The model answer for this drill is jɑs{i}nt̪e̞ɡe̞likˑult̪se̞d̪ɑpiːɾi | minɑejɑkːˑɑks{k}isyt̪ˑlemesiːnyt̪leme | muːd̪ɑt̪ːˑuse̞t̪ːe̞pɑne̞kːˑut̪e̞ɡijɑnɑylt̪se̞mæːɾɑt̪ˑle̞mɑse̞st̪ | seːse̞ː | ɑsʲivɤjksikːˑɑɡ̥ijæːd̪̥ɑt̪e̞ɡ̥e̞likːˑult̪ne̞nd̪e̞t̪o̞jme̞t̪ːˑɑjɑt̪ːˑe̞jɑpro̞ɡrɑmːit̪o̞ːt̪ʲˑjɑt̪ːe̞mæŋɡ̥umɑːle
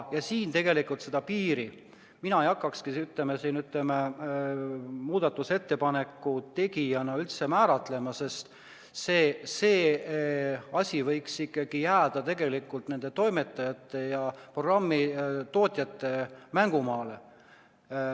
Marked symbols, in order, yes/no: no, yes

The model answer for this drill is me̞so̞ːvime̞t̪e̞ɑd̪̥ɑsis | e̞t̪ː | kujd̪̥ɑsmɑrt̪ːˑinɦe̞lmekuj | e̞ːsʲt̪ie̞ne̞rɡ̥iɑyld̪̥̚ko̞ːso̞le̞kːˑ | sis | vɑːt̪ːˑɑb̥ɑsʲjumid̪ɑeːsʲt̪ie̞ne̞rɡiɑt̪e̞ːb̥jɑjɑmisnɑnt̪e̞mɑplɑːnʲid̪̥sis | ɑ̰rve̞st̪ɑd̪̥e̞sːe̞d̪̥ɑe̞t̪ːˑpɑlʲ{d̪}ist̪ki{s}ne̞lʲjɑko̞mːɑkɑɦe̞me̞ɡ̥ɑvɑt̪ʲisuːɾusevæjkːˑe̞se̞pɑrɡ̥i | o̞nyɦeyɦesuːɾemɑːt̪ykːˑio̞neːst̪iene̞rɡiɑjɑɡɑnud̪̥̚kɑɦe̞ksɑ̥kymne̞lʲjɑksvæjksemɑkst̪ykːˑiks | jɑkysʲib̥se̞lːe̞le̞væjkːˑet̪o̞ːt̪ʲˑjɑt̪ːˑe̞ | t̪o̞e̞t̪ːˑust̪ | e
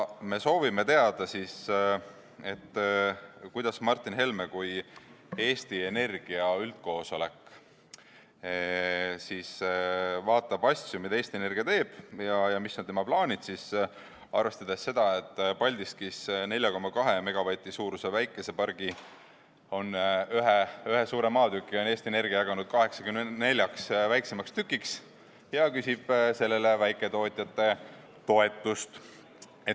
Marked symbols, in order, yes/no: yes, yes

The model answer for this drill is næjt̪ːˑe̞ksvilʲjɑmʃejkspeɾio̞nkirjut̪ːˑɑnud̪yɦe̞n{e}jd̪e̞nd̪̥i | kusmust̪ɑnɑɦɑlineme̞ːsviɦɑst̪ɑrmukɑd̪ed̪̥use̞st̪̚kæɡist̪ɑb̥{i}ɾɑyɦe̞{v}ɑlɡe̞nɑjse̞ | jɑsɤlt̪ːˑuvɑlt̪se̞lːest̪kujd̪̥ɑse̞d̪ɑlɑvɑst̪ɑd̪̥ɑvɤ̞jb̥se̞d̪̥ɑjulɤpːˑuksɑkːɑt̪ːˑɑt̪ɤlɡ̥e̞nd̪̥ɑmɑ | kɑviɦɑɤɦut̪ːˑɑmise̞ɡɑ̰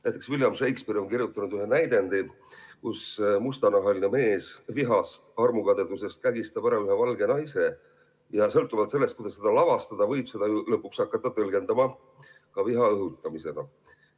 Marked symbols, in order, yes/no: no, no, yes

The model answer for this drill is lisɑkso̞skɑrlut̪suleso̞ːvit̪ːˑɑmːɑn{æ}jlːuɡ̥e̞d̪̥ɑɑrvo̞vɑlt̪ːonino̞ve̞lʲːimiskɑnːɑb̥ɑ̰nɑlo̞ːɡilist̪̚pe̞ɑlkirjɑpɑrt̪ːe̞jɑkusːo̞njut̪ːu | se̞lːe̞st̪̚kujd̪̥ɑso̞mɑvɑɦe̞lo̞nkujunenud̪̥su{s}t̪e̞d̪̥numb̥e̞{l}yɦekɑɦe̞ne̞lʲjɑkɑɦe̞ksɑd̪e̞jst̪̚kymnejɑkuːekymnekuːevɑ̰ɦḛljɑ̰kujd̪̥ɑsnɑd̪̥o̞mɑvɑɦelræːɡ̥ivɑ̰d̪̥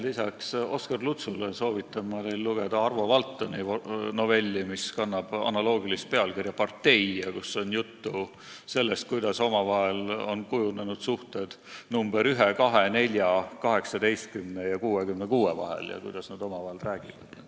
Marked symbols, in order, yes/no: no, no, no

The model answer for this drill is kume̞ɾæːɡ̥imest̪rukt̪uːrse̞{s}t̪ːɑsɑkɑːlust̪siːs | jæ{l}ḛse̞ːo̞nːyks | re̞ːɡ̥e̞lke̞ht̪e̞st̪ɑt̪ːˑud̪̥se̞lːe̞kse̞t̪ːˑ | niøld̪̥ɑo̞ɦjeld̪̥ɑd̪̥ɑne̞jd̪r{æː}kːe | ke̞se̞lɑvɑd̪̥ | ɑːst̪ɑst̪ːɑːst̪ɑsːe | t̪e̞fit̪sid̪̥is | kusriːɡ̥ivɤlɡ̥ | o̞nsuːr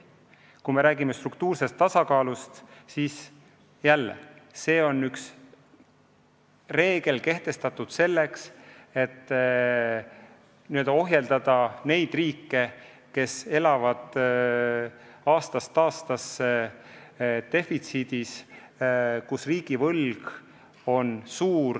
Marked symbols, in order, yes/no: yes, no, no

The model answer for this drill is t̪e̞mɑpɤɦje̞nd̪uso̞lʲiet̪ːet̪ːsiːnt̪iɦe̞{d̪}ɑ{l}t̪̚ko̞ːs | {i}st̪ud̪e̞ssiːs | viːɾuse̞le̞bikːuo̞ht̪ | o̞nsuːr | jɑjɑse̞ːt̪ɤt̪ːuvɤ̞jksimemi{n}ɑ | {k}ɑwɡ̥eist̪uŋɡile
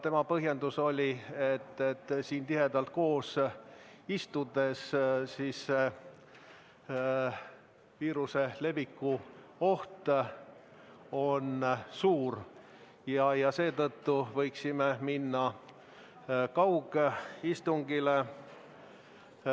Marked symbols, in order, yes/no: yes, yes, yes, no, yes

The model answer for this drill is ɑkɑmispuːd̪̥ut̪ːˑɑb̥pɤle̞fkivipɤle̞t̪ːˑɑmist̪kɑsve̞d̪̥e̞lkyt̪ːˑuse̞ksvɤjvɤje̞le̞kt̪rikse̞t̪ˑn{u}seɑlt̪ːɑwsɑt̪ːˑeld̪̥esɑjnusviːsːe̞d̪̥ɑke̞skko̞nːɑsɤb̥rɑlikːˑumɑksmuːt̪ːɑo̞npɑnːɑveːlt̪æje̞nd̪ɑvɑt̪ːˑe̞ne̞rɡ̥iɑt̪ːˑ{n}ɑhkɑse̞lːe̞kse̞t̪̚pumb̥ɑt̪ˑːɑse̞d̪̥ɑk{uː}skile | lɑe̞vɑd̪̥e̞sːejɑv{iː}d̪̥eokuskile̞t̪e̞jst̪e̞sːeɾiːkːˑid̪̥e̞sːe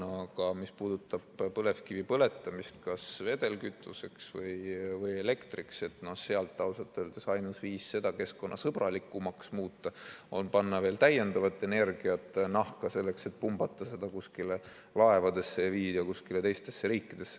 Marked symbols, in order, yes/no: no, yes, no, yes

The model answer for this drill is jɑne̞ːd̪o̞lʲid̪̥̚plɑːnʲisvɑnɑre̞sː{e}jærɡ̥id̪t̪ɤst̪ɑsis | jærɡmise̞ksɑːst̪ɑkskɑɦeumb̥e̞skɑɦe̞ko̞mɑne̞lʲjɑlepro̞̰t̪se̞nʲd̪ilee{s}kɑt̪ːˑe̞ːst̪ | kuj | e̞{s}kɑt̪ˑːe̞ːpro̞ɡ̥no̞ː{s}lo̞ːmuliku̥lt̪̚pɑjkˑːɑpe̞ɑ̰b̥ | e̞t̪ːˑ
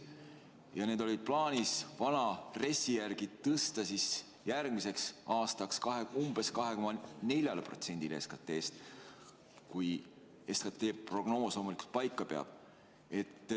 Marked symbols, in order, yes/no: no, yes, yes, yes

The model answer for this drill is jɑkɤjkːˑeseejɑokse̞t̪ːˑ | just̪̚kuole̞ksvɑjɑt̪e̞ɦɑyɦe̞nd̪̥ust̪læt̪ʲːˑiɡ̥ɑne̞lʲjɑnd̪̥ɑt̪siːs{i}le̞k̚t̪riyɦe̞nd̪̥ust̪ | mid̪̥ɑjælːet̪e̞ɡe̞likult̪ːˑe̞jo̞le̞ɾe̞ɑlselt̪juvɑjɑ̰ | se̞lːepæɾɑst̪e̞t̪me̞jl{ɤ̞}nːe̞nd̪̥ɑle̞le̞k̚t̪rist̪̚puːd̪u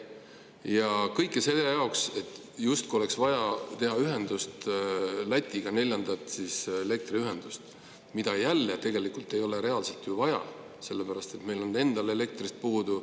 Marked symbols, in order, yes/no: no, no

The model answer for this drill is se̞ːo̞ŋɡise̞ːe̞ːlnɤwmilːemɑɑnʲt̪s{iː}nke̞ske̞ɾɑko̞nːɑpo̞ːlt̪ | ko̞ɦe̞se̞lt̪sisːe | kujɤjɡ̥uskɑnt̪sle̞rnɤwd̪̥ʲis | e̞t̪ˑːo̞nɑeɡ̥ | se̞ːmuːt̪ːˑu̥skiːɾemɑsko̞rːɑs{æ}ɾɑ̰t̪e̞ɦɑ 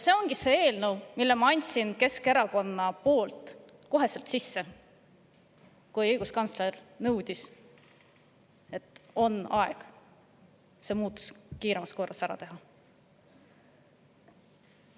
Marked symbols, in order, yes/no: no, yes

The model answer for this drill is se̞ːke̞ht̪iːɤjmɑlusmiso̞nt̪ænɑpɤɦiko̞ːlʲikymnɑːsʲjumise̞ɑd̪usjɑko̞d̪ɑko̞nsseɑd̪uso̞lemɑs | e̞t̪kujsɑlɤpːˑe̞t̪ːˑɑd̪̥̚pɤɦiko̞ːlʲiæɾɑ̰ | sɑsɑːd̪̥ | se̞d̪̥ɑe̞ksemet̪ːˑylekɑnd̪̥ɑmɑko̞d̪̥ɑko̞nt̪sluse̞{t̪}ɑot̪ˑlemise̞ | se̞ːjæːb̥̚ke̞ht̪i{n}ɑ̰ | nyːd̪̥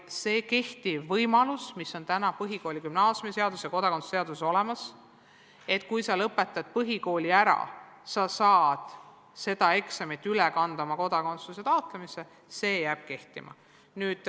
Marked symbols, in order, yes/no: yes, no

